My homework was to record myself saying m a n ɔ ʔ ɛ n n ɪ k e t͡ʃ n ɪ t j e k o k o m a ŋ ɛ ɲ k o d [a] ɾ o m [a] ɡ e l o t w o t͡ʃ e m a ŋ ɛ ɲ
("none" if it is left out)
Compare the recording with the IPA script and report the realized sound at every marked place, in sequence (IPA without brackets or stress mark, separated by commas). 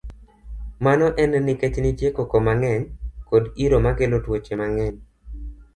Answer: i, a